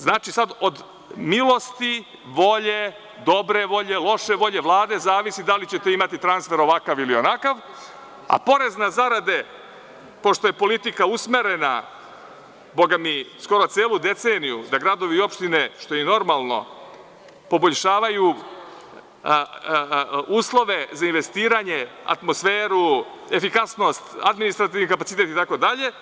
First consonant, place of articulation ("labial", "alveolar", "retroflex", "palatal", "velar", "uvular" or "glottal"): alveolar